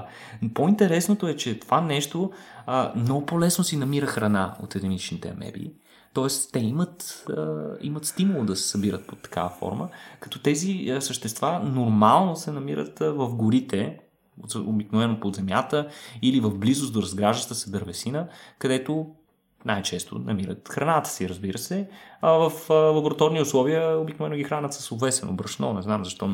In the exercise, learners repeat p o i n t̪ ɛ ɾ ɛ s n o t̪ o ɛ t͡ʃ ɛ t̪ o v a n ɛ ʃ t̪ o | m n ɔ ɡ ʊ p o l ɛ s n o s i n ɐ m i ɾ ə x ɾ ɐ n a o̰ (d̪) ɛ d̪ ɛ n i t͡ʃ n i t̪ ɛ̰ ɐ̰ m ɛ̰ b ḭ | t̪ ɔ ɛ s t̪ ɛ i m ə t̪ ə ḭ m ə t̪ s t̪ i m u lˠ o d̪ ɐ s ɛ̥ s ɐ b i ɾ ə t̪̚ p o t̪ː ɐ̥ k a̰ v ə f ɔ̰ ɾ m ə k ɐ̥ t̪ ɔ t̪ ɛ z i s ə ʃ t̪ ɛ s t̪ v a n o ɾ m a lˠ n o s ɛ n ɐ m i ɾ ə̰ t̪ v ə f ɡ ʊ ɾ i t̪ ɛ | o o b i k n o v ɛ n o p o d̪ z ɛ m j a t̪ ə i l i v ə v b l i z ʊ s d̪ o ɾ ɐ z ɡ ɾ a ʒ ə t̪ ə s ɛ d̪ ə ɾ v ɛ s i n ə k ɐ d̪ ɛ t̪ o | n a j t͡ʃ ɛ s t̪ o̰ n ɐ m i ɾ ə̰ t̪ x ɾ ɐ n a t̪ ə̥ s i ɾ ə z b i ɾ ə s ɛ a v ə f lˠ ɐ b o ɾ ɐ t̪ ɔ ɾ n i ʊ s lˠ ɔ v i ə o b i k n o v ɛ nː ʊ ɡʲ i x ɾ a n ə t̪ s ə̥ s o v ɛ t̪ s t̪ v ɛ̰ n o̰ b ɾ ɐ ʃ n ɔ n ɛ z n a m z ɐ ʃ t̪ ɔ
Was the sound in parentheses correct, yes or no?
no